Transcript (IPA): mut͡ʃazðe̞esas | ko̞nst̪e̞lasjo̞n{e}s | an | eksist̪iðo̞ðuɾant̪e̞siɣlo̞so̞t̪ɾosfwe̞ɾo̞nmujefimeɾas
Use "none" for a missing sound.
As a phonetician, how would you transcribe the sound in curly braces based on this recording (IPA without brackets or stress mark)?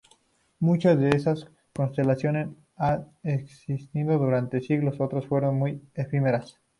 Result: e